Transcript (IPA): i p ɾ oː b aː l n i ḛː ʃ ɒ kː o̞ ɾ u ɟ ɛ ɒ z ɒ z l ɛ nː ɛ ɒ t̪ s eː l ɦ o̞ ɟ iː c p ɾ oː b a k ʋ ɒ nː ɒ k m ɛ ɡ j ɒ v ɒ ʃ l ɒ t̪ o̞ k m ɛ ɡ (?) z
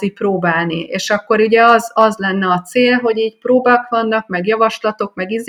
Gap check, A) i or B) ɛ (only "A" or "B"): A